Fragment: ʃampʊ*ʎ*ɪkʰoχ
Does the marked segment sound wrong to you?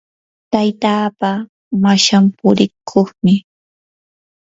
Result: yes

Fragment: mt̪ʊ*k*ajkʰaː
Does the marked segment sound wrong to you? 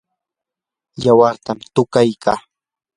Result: no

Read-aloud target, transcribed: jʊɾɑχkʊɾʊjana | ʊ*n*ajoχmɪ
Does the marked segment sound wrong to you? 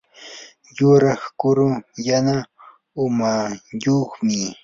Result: yes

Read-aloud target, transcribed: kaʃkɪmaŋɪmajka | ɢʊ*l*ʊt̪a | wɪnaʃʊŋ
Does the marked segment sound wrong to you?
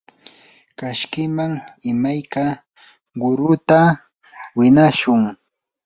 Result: yes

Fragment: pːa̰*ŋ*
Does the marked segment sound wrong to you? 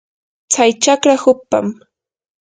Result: yes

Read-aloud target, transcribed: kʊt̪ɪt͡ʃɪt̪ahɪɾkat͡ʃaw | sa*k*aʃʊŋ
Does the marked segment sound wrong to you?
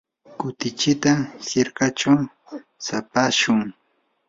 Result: yes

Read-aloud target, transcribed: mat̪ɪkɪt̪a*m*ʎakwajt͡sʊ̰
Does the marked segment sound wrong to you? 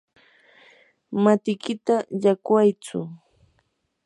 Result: yes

